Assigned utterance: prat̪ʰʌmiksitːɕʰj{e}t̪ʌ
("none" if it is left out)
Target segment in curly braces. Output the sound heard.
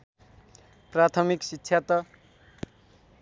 a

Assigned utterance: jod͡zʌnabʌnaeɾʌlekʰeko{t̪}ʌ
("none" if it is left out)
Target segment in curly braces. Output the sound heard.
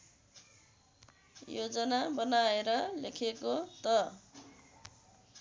t̪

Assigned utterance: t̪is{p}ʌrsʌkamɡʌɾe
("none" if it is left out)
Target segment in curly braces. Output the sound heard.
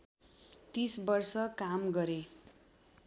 b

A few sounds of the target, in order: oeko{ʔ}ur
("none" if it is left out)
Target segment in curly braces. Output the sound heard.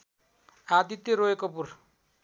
p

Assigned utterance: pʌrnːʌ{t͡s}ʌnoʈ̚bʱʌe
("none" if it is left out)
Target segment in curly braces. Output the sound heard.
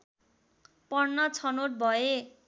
t͡sʰ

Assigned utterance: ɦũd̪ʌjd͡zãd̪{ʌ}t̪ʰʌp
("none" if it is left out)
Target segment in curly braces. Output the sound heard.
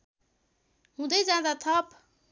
a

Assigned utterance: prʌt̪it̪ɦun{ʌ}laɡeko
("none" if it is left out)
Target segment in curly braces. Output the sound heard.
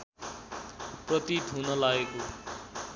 ʌ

